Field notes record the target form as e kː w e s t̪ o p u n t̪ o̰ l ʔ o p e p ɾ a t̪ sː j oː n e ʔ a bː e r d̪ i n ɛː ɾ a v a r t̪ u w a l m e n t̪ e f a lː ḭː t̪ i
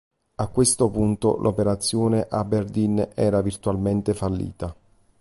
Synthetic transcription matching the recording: a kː w e s t̪ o p u n t̪ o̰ l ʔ o p e ɾ a t̪ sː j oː n e ʔ a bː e r d̪ i n ɛː ɾ a v i r t̪ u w a l m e n t̪ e f a lː ḭː t̪ a